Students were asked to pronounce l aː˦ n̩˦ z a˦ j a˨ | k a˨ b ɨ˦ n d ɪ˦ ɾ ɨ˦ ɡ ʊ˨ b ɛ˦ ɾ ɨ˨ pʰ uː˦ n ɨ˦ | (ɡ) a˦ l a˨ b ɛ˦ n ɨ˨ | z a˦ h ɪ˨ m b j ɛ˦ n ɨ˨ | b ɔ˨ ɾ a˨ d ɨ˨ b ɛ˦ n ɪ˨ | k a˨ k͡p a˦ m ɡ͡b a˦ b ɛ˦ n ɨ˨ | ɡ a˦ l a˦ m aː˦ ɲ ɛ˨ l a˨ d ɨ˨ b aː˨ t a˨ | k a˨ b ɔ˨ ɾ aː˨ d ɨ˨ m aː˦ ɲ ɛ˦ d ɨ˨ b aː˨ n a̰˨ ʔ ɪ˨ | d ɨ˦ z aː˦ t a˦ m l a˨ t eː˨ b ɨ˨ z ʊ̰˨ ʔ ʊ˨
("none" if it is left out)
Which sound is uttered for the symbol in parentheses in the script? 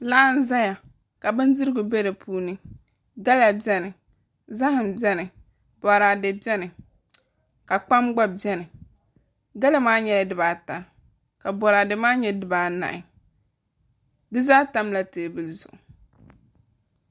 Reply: ɡ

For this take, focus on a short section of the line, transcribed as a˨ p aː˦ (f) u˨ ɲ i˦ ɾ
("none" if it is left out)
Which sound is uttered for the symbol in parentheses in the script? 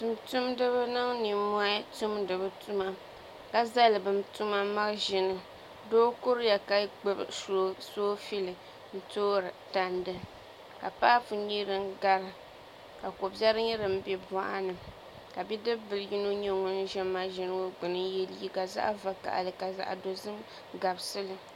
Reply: f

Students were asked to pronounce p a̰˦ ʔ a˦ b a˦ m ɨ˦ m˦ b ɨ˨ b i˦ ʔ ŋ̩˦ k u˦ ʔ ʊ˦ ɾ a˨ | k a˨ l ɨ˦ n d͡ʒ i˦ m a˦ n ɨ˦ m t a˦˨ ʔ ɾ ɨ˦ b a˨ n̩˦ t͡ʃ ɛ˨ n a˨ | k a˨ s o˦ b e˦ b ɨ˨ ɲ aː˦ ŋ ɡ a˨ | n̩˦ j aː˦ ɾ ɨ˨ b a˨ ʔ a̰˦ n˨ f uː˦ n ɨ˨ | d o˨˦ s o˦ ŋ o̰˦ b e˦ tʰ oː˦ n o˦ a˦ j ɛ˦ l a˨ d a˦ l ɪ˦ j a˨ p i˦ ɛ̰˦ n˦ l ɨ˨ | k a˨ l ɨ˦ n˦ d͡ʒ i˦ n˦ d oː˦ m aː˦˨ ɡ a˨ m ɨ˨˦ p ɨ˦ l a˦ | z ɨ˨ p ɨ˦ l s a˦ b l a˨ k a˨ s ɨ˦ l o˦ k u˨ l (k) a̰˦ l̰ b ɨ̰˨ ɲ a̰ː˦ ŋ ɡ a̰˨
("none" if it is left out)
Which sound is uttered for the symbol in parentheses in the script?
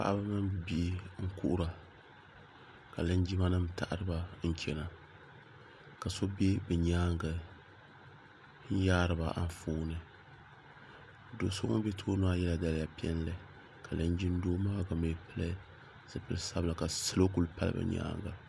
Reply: p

